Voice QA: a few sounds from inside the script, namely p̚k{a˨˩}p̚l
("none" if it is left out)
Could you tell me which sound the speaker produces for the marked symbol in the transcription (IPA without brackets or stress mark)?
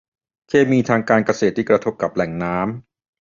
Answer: a˨˩